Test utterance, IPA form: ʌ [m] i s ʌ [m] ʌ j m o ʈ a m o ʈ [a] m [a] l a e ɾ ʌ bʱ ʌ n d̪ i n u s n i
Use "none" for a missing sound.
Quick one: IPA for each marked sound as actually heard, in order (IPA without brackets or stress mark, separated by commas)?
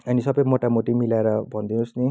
n, b, i, i